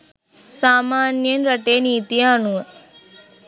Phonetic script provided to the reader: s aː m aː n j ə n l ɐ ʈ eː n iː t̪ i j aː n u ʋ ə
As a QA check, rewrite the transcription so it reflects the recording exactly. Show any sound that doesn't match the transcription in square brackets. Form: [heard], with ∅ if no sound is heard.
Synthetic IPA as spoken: s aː m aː n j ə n [ɾ] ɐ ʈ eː n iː t̪ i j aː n u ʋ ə